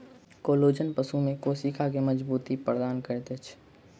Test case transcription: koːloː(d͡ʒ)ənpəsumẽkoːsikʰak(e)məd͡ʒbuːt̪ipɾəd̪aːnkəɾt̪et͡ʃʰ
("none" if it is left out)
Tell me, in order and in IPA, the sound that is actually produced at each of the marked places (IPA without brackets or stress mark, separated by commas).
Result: d͡ʒ, e